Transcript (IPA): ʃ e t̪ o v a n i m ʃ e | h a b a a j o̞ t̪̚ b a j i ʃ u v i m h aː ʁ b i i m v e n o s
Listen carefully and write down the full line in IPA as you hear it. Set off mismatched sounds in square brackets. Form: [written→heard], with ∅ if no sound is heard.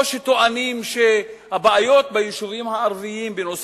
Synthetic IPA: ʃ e t̪ o [v→∅] a n i m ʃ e | h a b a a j o̞ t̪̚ b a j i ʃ u v i m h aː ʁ [b→v] i i m [v→b] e n o s

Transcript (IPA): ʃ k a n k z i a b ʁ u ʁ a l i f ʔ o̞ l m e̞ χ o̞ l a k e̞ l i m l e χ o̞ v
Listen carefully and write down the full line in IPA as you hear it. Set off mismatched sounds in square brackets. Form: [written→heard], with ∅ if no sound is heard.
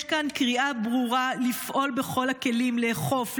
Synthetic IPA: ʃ k a n k [z→ʁ] i a b ʁ u ʁ a l i f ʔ o̞ l [m→b] e̞ χ o̞ l a k e̞ l i m l e χ o̞ [v→f]

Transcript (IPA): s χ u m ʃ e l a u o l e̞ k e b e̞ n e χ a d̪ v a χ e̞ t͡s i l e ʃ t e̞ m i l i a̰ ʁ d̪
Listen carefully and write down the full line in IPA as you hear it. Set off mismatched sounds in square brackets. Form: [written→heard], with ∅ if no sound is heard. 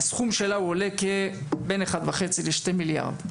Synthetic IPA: s χ u m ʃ e l a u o l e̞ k e b e̞ n e χ a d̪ v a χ e̞ t͡s i l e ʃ t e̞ m i l [i→j] a̰ ʁ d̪

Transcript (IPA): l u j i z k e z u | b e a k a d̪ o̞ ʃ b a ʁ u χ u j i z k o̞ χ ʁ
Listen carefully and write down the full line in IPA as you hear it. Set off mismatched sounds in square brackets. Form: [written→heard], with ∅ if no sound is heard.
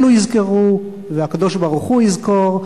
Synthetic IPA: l u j i z k e [z→ʁ] u | [b→v] e a k a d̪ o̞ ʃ b a ʁ u χ u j i z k o̞ [χ→∅] ʁ

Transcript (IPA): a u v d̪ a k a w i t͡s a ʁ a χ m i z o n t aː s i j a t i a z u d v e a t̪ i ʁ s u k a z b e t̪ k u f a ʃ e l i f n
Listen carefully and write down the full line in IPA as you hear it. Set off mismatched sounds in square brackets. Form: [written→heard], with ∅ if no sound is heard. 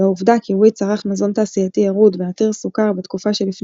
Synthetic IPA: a u v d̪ a k [a→i] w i t͡s a ʁ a χ m [i→a] z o n t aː s i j a t i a [z→ʁ] u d v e a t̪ i ʁ s u k a [z→ʁ] b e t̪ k u f a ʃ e l i f n

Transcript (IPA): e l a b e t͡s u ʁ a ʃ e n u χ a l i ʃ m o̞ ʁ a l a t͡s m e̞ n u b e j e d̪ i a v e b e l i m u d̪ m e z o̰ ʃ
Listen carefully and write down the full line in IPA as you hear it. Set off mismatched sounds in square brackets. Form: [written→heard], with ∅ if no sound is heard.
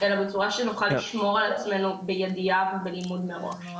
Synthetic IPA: e l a b e t͡s u ʁ a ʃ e n u χ a l i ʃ m o̞ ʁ a l a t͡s m e̞ n u b e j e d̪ i a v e b e l i m u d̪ m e [z→ʁ] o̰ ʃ

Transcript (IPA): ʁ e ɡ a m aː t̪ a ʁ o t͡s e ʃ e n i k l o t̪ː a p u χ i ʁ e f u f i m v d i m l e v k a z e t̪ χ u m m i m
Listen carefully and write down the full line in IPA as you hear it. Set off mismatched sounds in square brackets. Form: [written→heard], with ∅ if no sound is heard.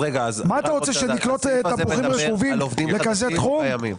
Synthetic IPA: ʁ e ɡ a m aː t̪ a ʁ o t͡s e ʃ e n i k l o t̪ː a p u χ i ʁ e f u [f→v] i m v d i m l e [v→∅] k a z e t̪ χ u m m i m

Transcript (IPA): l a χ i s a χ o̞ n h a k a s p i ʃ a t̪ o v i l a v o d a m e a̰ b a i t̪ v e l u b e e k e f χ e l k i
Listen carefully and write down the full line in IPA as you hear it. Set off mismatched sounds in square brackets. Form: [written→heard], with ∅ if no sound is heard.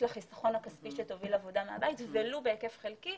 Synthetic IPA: l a χ i s a χ o̞ n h a k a s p i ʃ [a→e] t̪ o v i l a v o d a m e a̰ b a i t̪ v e l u b e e k e f χ e l k i

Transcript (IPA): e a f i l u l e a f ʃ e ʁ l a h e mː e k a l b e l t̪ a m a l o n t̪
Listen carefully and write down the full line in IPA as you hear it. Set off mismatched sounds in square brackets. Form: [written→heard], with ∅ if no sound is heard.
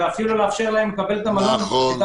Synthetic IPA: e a f i l u l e a f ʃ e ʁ l a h e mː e k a [l→∅] b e l t̪ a m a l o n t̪

